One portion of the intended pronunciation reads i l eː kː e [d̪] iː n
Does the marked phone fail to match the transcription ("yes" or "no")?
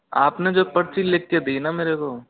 no